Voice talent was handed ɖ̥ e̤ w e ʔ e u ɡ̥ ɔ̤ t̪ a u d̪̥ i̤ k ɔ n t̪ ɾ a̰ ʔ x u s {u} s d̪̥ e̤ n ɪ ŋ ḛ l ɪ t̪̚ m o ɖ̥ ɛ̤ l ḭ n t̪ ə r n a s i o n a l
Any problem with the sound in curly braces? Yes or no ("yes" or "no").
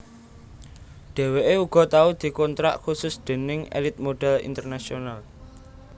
yes